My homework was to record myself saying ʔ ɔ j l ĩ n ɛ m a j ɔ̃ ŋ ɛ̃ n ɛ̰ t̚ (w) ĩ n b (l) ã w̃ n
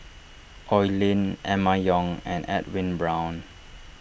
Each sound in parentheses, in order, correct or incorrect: correct, incorrect: ɹ

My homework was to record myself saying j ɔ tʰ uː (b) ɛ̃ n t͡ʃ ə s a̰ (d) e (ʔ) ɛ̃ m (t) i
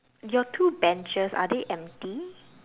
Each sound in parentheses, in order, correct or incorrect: correct, correct, correct, correct

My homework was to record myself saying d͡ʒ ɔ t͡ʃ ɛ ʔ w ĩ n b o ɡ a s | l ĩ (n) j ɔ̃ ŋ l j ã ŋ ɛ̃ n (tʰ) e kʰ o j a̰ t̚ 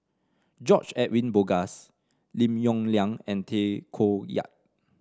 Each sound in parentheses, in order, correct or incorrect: incorrect: m, correct

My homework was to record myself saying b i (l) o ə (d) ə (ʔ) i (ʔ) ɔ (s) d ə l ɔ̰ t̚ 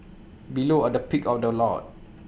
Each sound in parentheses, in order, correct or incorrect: correct, correct, incorrect: p, incorrect: k, incorrect: f

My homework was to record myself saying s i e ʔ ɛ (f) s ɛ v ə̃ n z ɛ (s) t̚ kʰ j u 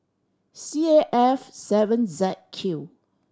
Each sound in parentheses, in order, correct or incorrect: correct, incorrect: none

